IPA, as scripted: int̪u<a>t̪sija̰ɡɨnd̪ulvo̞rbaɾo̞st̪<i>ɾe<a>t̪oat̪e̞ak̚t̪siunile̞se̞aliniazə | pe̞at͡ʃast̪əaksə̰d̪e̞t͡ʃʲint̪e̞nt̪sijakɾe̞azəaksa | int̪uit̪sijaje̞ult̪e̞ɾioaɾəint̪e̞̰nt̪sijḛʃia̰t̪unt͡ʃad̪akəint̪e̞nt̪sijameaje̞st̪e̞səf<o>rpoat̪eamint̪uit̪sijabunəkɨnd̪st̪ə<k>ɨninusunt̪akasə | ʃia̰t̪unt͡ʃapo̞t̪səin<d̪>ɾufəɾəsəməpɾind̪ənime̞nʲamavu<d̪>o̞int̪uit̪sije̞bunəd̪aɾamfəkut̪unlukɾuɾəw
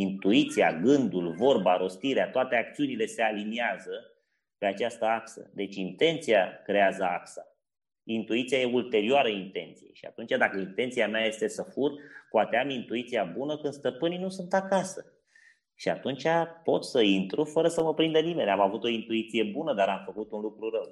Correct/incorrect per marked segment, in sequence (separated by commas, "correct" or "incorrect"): incorrect, correct, correct, incorrect, incorrect, incorrect, incorrect